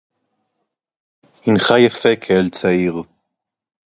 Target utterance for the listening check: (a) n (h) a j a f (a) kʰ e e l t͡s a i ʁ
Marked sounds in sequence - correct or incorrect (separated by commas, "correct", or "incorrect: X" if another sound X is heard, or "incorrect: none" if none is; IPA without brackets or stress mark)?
incorrect: i, incorrect: χ, incorrect: e